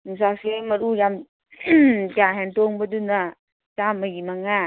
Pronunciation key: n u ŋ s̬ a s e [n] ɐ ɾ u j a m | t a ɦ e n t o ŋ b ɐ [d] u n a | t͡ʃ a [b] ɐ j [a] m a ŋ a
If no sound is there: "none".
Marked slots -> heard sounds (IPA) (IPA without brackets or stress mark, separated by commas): m, d, m, i